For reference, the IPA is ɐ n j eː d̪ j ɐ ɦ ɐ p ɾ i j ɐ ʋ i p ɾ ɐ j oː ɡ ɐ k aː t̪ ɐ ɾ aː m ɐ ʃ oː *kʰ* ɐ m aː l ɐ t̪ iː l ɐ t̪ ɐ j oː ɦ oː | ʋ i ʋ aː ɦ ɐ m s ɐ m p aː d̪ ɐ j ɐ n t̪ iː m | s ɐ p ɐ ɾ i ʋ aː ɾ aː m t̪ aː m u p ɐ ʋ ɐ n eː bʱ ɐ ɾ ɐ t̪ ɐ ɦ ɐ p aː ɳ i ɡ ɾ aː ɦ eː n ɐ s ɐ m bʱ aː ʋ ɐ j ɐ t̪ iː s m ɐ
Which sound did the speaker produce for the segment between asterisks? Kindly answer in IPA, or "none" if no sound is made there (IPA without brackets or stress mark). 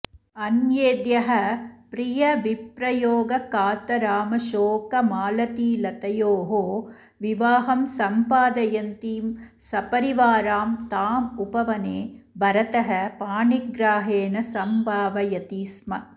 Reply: k